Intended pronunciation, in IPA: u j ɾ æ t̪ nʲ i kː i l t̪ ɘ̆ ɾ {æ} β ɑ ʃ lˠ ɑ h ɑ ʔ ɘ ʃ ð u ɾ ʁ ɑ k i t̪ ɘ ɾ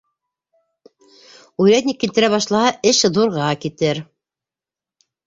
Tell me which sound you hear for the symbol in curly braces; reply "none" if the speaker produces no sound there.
æ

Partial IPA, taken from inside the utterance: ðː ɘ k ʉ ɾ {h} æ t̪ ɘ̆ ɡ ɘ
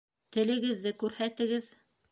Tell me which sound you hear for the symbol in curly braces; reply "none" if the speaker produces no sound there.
h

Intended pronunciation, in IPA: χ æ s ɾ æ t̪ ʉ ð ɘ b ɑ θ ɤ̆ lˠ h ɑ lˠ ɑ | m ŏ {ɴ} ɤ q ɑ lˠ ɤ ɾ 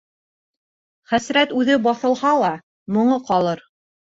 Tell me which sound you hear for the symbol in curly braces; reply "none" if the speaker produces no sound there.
ɴ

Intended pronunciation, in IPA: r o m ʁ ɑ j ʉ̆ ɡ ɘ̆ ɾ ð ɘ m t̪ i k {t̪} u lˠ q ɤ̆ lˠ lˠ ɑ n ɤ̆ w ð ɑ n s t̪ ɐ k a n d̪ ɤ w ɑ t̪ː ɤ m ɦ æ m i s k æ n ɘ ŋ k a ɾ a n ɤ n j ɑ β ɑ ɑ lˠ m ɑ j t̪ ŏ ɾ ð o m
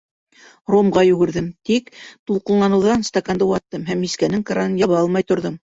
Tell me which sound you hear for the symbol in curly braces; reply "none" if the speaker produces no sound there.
t̪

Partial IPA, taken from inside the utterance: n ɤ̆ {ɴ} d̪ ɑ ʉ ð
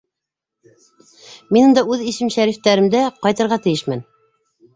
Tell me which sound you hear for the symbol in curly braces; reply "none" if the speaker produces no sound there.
n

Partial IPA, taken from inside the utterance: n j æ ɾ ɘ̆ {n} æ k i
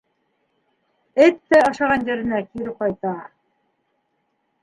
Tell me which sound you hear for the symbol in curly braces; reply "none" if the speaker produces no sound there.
n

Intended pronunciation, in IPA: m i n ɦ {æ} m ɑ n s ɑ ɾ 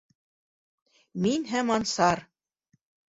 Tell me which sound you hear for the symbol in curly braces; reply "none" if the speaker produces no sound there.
æ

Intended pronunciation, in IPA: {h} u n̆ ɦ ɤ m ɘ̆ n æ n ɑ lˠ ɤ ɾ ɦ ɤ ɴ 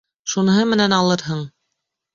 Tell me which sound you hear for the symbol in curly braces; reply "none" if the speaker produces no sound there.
ʃ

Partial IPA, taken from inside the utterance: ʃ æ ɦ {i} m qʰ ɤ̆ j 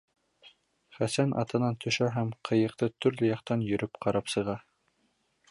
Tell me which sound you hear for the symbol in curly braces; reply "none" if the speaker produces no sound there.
æ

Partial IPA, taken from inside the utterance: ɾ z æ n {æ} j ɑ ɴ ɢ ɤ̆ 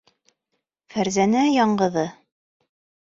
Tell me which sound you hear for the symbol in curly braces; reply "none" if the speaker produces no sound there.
æ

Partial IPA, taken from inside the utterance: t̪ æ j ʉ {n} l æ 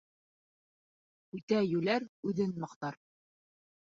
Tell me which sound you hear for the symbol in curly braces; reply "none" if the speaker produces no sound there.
none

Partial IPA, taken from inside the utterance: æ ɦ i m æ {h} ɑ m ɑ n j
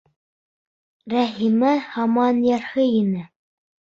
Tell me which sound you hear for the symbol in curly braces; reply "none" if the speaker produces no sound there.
h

